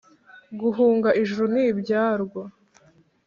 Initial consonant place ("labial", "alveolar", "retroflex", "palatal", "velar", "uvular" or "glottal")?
velar